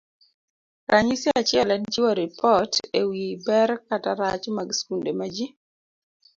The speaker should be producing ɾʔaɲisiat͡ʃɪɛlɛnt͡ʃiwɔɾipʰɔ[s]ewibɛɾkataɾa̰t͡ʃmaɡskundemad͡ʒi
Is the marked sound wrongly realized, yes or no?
yes